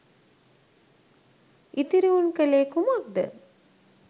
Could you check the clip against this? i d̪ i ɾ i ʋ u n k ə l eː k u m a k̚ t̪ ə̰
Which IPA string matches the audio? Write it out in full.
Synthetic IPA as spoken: i t̪ i ɾ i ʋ u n k ə l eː k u m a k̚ d̪ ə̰